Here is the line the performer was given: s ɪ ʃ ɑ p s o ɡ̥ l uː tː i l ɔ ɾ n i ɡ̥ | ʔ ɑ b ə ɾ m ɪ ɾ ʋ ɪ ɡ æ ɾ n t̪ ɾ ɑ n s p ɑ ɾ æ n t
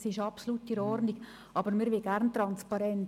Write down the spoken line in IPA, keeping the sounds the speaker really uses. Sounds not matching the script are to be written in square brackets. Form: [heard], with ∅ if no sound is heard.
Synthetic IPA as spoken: s ɪ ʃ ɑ p s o [∅] l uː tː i [ɾ] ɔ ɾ n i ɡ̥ | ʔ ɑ b ə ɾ m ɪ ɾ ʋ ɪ ɡ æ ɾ n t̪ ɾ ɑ n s p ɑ ɾ [ɛ] n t

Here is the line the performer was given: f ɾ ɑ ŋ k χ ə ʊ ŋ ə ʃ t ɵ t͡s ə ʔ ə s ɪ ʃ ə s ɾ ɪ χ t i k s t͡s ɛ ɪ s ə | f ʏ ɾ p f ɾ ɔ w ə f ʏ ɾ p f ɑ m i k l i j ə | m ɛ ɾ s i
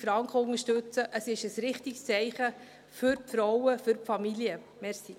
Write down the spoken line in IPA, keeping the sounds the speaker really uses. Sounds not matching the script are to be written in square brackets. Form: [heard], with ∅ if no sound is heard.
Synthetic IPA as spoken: f ɾ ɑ ŋ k χ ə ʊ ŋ ə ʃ t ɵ t͡s ə ʔ ə s ɪ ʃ ə s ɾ ɪ χ t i k s t͡s ɛ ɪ [χ] ə | f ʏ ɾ p f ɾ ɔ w ə f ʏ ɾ p f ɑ m i [∅] l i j ə | m ɛ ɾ s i

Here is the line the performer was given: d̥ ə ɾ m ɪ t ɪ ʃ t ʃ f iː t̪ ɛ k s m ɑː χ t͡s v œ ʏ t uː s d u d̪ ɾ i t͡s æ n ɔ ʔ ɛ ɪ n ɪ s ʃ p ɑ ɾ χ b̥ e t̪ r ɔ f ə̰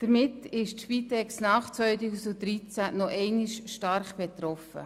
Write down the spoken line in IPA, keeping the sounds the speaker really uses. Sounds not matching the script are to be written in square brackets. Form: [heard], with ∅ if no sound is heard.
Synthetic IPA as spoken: d̥ ə ɾ m ɪ t ɪ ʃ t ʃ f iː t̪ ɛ k s [n] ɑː χ t͡s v œ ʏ t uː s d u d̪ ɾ i t͡s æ n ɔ ʔ ɛ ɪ n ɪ [ʃ] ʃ [t] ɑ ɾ χ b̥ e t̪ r ɔ f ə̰

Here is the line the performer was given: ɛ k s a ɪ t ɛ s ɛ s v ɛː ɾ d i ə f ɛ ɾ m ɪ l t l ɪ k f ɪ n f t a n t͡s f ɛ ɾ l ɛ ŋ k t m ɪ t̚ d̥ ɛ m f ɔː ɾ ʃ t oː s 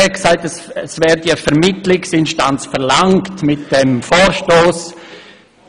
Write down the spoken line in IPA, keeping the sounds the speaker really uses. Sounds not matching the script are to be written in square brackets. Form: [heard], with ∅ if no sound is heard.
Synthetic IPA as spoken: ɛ k s a ɪ t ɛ s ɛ s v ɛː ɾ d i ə f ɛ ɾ m ɪ [∅] t l ɪ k [s] ɪ n [ʃ] t a n t͡s f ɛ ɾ l [a] ŋ k t m ɪ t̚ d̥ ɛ m f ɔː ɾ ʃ t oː s

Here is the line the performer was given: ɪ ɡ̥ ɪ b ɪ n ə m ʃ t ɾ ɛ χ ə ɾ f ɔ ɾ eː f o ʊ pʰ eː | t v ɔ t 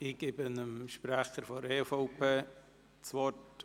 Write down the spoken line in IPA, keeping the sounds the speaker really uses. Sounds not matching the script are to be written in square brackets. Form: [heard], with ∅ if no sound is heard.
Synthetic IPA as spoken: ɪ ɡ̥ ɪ b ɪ n ə m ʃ [p] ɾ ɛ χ ə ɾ f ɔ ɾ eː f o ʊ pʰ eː | [t͡s] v ɔ t

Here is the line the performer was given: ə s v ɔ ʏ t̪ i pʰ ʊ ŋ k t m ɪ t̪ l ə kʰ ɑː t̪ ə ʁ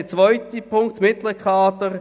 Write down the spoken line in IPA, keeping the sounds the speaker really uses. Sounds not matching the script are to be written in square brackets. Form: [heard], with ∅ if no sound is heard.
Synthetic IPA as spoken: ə [t͡s] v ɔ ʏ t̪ i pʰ ʊ ŋ k t m ɪ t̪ l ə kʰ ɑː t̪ ə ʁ

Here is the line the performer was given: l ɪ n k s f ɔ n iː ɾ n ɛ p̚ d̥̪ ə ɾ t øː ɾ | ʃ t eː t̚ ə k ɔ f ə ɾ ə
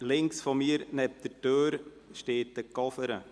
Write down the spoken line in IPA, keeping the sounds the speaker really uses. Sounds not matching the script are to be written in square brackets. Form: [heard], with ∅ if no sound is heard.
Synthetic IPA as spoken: l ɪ [ŋ] k s f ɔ [m] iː ɾ n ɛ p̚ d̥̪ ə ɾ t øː ɾ | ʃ t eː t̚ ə k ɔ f ə ɾ ə

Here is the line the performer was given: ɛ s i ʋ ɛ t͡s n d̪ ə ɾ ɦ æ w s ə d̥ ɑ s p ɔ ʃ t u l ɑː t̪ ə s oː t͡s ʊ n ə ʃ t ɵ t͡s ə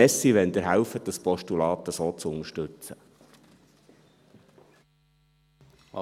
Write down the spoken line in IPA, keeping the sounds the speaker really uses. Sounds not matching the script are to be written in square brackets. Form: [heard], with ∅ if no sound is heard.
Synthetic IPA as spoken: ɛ s i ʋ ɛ [∅] n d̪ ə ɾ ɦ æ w [f] ə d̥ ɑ s p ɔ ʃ t u l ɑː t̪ ə s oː t͡s ʊ n ə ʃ t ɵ t͡s ə

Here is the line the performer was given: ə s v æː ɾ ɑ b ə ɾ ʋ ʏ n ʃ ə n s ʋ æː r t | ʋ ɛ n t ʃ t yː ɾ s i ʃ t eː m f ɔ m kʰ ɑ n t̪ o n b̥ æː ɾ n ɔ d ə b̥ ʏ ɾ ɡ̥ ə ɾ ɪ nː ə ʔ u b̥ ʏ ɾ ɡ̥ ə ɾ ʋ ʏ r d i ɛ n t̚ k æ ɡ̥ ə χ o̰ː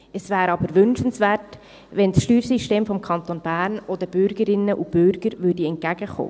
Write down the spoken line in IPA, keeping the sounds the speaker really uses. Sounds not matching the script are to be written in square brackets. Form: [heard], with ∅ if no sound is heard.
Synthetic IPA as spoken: ə s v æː ɾ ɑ b ə ɾ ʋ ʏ n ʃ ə n s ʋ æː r t | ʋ ɛ n [s] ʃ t yː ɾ s i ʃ t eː m f ɔ m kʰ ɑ n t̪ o n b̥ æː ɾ n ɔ d ə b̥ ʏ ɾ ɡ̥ ə ɾ ɪ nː ə ʔ u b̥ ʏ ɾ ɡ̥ ə ɾ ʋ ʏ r d i ɛ n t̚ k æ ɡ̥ ə χ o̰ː

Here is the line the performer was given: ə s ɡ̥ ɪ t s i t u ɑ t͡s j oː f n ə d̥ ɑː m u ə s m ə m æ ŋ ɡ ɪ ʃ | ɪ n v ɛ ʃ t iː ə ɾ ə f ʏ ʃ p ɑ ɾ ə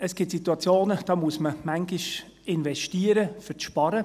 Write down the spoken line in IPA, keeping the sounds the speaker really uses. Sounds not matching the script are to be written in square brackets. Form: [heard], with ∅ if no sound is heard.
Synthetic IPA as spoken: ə s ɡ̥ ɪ t s i t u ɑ t͡s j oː [∅] n ə d̥ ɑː m u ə s m ə m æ ŋ ɡ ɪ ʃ | ɪ n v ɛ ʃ t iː ə ɾ ə f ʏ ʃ p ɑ ɾ ə

